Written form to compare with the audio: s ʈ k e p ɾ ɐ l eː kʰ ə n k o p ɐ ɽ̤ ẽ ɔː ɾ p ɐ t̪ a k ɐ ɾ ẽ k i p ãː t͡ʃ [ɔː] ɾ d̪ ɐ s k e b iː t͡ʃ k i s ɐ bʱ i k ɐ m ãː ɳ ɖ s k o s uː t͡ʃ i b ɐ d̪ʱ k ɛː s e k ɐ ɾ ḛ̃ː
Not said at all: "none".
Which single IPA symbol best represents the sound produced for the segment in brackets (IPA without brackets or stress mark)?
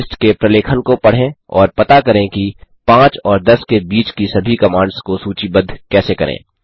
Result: ɔː